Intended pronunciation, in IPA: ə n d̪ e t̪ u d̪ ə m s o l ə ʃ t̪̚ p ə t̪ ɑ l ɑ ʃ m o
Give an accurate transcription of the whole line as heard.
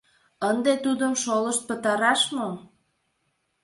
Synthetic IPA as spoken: ə n d̪ e t̪ u d̪ ə m ʃ o l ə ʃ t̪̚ p ə t̪ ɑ ɾ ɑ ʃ m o